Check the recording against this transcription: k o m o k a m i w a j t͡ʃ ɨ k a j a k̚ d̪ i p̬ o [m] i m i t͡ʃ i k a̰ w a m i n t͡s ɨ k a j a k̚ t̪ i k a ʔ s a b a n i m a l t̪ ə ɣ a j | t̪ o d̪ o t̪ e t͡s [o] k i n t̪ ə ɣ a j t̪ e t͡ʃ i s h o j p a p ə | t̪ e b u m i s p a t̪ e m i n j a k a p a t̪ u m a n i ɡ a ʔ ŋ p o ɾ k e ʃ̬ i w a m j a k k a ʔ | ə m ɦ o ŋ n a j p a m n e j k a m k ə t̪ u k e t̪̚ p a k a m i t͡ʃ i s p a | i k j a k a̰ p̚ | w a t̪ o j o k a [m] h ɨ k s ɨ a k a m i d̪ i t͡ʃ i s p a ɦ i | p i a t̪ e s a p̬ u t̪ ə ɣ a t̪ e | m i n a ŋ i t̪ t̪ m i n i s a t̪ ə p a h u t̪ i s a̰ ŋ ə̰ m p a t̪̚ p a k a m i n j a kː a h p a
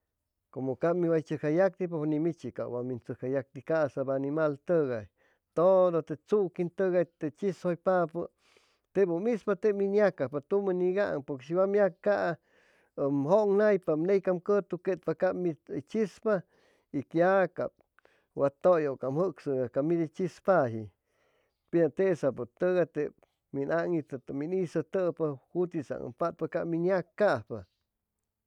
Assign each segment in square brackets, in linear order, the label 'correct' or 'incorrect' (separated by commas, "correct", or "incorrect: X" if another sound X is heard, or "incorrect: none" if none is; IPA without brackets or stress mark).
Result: incorrect: n, incorrect: u, correct